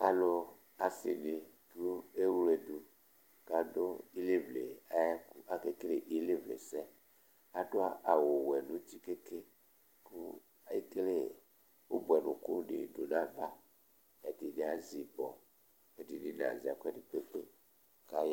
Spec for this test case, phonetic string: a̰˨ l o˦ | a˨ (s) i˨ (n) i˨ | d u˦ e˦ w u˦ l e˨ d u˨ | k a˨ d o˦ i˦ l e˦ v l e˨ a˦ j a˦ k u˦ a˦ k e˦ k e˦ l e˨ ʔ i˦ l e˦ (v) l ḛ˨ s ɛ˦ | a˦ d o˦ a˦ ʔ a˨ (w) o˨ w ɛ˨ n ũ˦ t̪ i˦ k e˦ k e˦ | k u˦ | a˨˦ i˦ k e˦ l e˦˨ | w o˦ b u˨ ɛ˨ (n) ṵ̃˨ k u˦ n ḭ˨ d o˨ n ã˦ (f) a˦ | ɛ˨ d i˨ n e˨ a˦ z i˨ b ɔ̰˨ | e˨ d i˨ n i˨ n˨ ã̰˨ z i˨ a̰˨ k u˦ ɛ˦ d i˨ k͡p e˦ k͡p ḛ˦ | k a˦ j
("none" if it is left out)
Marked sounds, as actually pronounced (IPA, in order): s, n, v, w, n, v

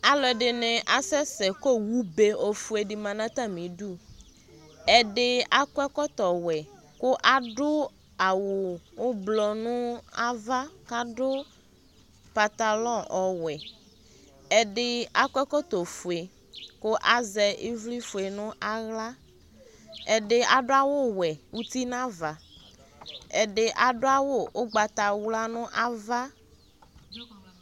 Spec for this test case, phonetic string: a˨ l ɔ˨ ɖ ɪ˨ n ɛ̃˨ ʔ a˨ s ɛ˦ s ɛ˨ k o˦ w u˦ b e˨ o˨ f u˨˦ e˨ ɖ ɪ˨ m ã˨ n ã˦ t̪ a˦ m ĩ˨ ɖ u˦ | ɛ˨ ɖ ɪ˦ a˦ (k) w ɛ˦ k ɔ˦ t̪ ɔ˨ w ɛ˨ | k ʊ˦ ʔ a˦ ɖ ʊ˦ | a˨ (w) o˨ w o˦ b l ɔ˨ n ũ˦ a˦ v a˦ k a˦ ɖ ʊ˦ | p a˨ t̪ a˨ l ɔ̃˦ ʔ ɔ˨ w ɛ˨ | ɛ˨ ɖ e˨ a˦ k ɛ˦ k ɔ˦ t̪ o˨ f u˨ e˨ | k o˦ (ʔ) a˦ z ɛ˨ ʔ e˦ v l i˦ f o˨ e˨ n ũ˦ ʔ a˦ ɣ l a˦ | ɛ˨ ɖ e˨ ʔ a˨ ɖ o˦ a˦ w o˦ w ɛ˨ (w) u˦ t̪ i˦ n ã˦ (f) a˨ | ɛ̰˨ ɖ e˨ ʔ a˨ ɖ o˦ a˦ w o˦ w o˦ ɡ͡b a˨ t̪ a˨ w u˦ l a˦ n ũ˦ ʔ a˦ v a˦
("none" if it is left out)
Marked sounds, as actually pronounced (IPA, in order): k, w, ʔ, w, v

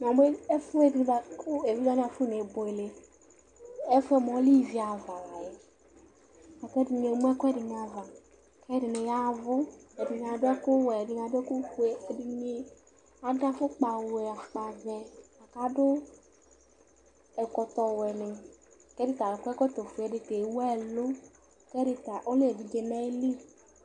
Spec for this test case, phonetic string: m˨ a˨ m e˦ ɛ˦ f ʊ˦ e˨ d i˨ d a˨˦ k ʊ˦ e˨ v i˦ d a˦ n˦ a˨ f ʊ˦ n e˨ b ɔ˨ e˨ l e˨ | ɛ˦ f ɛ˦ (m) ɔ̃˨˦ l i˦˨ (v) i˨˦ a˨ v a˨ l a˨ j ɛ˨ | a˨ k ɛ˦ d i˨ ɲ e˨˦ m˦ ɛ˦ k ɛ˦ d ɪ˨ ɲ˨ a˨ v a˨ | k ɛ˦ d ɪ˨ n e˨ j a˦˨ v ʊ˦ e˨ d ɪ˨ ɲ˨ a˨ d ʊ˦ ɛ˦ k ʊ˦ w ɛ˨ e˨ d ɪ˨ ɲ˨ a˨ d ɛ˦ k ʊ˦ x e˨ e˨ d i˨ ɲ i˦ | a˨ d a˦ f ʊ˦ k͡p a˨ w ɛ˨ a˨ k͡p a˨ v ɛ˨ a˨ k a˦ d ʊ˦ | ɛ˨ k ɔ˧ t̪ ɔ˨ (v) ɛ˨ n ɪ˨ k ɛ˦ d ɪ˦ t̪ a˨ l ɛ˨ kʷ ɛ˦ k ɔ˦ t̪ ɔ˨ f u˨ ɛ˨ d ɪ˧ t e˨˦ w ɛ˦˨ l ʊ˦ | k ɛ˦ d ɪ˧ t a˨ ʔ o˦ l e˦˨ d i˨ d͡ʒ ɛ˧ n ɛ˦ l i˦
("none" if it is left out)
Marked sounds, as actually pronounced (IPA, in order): m, v, w

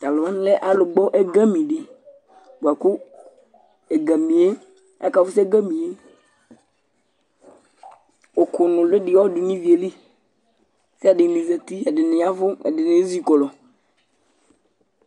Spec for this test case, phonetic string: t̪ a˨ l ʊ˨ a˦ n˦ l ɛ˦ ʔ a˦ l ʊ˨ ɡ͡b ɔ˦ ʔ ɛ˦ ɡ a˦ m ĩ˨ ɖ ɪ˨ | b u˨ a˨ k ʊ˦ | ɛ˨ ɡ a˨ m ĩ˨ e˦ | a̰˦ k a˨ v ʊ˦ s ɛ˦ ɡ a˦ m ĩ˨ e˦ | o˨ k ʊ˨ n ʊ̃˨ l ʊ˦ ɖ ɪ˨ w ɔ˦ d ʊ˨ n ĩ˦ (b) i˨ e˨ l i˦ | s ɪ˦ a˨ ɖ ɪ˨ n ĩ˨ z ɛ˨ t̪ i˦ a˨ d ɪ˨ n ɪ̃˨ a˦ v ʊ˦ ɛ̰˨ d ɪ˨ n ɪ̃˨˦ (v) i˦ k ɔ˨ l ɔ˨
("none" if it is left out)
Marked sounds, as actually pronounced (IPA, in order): v, z

